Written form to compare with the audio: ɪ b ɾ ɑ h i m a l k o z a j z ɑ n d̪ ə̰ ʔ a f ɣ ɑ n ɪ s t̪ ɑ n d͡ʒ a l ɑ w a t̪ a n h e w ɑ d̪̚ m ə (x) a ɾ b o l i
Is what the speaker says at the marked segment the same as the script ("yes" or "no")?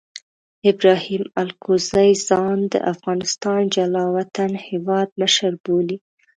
no